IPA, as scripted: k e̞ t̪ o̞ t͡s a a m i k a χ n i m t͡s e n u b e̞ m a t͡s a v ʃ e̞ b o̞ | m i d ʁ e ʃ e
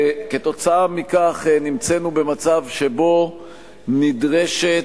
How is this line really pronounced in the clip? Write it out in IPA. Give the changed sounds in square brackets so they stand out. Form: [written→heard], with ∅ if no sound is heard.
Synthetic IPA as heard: k e̞ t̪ o̞ t͡s a a m i k a χ n i m t͡s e n u b e̞ m a t͡s a v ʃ e̞ b o̞ | [m→n] i d ʁ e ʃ e